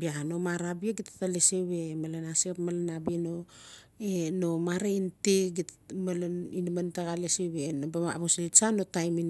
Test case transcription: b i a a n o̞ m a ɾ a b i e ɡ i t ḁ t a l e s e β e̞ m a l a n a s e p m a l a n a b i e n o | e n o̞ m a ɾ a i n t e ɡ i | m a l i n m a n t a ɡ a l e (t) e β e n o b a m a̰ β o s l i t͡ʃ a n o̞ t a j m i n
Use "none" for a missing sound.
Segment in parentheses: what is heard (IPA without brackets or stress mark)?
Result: s